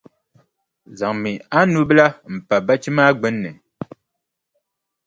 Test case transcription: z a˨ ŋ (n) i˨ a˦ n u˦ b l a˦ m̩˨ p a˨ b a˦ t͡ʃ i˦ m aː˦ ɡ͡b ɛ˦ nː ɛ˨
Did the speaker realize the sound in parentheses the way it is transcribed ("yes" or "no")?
no